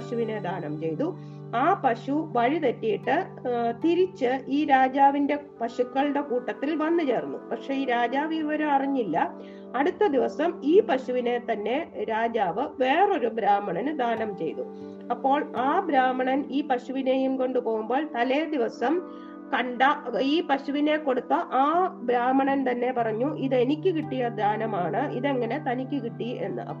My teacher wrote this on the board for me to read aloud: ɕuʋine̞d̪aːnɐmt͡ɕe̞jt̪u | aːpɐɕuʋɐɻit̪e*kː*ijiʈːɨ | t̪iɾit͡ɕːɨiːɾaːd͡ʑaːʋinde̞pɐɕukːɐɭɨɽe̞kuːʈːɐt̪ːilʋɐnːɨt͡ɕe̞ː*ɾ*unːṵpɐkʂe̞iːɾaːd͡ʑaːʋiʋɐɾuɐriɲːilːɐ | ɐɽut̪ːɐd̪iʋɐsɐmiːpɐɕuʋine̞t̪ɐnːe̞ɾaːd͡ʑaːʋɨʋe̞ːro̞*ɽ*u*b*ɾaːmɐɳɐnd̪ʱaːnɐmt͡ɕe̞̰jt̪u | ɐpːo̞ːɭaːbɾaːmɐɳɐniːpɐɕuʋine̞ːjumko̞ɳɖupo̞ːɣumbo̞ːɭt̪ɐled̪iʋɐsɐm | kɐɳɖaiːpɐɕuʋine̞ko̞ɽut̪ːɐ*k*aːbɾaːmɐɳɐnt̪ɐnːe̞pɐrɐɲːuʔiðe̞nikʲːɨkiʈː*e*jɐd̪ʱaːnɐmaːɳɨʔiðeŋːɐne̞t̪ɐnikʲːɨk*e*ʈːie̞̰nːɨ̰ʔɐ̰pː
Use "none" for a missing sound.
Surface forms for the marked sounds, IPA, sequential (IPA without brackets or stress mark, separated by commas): tː, r, ɾ, b, ʔ, i, i